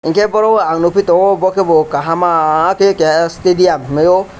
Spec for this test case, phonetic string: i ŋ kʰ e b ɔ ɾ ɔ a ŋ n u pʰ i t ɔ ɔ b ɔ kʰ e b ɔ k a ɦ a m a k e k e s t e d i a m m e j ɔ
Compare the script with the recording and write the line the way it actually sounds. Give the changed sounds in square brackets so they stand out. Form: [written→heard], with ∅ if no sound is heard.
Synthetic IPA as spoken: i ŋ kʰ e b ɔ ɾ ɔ a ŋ n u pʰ i t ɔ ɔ b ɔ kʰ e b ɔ k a ɦ a m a k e k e s t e d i a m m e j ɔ